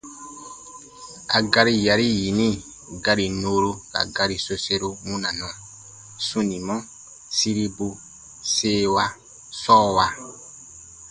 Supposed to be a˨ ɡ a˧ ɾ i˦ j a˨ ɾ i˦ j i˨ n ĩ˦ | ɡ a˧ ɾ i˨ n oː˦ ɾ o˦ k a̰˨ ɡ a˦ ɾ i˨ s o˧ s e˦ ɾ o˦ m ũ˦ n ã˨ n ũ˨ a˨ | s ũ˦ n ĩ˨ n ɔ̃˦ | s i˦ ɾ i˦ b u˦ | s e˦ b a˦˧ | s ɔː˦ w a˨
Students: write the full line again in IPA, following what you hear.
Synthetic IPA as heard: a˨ ɡ a˧ ɾ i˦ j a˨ ɾ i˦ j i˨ n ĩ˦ | ɡ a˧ ɾ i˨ n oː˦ ɾ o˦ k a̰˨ ɡ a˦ ɾ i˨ s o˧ s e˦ ɾ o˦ m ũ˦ n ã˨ n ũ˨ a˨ | s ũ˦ n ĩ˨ m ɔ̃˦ | s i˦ ɾ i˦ b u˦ | s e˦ w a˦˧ | s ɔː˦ w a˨